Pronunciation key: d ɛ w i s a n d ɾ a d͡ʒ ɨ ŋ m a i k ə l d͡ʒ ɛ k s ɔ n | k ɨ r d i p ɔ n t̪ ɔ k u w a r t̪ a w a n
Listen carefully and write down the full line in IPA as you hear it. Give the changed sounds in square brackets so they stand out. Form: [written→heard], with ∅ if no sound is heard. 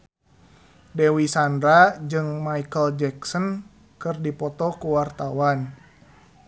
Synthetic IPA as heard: d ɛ w i s a n d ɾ a d͡ʒ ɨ ŋ m a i k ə l d͡ʒ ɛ k s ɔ n | k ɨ r d i p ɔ [n→∅] t̪ ɔ k u w a r t̪ a w a n